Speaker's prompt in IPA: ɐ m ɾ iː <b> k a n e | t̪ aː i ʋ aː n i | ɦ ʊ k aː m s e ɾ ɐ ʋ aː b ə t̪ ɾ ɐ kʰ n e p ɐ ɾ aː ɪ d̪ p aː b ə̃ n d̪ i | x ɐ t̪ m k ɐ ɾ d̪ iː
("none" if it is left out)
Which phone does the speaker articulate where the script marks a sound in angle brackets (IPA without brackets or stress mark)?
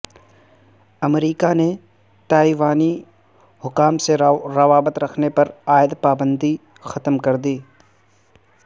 none